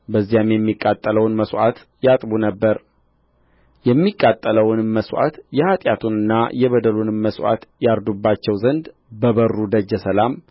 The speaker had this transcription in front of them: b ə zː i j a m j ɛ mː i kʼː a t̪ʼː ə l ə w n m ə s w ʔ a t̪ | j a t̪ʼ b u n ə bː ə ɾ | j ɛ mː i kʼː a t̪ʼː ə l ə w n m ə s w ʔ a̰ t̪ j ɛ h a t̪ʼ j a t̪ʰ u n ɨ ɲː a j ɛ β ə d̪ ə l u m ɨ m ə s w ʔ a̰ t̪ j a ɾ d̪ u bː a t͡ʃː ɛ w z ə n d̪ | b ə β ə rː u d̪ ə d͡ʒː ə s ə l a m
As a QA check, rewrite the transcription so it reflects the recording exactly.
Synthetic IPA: b ə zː i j a m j ɛ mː i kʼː a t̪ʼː ə l ə w n m ə s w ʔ a t̪ | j a t̪ʼ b u n ə bː ə ɾ | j ɛ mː i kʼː a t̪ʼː ə l ə w n m ə s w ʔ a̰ t̪ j ɛ h a t̪ʼ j a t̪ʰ u n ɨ nː a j ɛ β ə d̪ ə l u n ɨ m ə s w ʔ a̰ t̪ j a ɾ d̪ u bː a t͡ʃː ɛ w z ə n d̪ | b ə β ə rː u d̪ ə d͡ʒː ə s ə l a m